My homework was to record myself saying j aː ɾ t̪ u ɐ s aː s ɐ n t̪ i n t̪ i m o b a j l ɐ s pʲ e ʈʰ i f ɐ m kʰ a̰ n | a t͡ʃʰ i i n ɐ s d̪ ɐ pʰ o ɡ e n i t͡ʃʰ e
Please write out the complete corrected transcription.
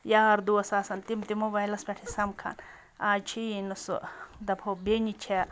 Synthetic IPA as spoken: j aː ɾ d̪ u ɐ s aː s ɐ n t̪ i m t̪ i m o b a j l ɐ s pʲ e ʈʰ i s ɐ m kʰ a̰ n | a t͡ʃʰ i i n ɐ s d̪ ɐ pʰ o b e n i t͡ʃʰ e